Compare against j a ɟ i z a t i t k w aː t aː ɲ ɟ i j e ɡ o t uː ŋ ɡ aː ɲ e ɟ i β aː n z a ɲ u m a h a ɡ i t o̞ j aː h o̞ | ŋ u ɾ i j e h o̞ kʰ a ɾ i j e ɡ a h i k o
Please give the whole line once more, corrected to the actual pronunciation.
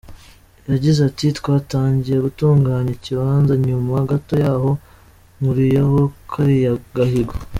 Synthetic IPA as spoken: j a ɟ i z a t i t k w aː t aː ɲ ɟ i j e ɡ u t uː ŋ ɡ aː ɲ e c i β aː n z a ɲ u m a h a ɡ a t o̞ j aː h o̞ | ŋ u ɾ i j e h o̞ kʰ a ɾ i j a ɡ a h i ɡ o